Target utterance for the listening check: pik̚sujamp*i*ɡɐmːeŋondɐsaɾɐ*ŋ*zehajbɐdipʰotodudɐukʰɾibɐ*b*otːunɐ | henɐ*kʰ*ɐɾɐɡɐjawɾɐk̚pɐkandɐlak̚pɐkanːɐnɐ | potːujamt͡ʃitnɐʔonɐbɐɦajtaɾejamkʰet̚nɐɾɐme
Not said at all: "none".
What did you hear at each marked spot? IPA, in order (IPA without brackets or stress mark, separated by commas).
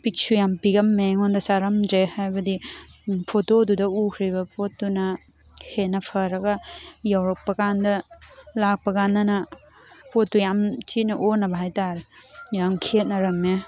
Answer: i, m, p, pʰ